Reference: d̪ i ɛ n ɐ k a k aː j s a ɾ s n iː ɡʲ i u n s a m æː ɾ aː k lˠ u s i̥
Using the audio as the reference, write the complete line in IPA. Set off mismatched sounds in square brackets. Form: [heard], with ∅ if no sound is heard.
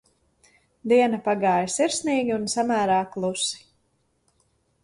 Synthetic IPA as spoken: d̪ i ɛ n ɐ [p] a [ɡ] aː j s [i] ɾ s n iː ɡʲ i u n s a m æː ɾ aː k lˠ u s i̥